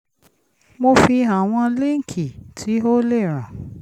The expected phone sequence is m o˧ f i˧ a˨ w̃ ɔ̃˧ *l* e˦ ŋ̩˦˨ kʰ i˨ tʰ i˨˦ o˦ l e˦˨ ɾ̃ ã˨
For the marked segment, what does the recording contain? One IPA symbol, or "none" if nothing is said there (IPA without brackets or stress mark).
l